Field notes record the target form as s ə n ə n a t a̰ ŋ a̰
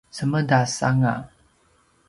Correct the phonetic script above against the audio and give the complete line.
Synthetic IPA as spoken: s ə m ə d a s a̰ ŋ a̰